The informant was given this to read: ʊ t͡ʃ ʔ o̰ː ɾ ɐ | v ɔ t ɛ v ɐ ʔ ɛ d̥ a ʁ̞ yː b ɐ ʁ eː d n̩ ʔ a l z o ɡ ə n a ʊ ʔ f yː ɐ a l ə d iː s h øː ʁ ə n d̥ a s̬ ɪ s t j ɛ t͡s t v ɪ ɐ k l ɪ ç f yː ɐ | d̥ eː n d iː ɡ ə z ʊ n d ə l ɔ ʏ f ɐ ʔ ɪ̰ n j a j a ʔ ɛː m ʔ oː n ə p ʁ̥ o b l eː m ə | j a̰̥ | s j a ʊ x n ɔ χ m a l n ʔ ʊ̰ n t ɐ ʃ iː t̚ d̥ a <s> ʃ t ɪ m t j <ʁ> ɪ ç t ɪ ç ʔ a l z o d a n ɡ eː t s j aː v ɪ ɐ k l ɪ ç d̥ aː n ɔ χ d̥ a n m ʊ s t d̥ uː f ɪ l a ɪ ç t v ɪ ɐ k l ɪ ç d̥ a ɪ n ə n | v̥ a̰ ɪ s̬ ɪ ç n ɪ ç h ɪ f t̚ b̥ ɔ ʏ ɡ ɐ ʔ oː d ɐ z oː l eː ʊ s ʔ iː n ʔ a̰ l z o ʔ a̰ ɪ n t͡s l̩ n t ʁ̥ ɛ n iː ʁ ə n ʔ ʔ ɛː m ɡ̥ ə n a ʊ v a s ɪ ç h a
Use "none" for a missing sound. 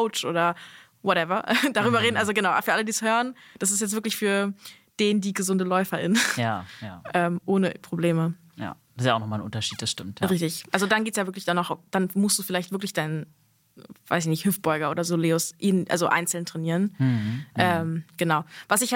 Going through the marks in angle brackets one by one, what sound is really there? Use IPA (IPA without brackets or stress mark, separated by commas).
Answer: s, ʁ